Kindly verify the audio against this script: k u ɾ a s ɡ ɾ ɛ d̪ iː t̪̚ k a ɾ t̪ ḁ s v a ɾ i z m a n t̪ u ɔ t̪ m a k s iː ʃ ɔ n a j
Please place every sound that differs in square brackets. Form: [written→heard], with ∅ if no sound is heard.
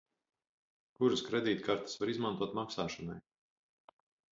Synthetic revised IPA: k u ɾ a s [ɡ→k] ɾ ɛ d̪ iː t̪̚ k a ɾ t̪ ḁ s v a ɾ i z m a n t̪ u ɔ t̪ m a k s [iː→aː] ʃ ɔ n a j